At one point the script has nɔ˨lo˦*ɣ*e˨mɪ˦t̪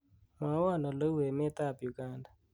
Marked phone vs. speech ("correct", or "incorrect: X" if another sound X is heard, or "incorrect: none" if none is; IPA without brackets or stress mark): incorrect: w